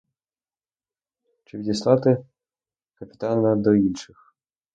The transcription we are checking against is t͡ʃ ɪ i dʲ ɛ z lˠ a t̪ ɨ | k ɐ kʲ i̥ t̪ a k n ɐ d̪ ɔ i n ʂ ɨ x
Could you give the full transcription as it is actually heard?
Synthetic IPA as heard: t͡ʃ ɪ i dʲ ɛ s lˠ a t̪ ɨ | k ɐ pʲ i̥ t̪ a n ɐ d̪ ɔ i n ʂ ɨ x